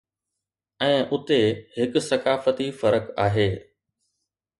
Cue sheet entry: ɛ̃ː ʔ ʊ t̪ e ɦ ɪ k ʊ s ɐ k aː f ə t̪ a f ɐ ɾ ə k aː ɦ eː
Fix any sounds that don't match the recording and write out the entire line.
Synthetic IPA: ɛ̃ː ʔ ʊ t̪ e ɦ ɪ k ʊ s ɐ k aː f ə t̪ i f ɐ ɾ ə k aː ɦ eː